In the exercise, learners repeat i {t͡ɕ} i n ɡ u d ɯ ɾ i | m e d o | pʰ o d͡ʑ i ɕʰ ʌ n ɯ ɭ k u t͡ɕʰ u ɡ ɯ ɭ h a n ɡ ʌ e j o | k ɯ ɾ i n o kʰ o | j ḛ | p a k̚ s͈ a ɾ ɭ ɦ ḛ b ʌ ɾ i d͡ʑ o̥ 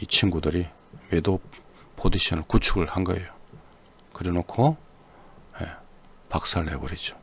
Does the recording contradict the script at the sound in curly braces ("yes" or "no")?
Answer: yes